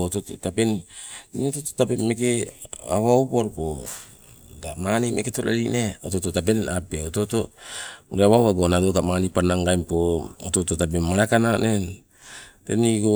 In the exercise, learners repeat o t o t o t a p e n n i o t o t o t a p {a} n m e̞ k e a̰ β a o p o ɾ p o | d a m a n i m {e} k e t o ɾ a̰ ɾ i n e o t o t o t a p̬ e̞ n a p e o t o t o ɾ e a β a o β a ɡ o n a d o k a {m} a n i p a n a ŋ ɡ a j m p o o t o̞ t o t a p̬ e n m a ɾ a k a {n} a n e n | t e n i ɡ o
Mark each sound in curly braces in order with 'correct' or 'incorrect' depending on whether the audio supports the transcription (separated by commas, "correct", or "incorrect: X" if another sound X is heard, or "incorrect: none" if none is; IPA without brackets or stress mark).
incorrect: e, correct, correct, correct